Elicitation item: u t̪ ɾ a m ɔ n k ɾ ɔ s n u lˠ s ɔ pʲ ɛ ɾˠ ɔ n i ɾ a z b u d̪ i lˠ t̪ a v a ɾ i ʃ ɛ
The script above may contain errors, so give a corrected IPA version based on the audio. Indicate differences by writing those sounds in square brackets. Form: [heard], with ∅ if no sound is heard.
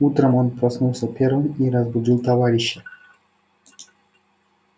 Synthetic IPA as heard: u t̪ ɾ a m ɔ n [p] ɾ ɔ s n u lˠ s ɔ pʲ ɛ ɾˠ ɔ n i ɾ a z b u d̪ i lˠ t̪ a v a ɾ i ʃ ɛ